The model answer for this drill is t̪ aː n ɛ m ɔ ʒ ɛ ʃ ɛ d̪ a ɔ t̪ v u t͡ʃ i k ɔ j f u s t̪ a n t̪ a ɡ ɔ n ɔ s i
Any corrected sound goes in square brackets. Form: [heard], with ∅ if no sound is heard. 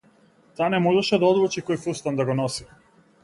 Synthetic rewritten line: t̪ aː n ɛ m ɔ ʒ ɛ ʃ ɛ d̪ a ɔ [d̪] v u t͡ʃ i k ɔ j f u s t̪ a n [d̪] a ɡ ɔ n ɔ s i